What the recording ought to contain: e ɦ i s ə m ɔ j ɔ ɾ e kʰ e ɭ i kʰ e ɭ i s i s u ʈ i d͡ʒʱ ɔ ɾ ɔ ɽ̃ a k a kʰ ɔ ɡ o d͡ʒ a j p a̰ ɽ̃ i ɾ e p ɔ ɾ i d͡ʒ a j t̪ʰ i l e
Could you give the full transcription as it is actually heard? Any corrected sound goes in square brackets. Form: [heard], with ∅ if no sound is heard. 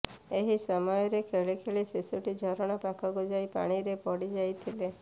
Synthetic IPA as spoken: e ɦ i s ə m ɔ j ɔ ɾ e kʰ e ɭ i kʰ e ɭ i s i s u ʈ i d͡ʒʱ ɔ ɾ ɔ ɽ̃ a [p] a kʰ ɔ ɡ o d͡ʒ a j p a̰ ɽ̃ i ɾ e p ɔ [ɽ] i d͡ʒ a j t̪ʰ i l e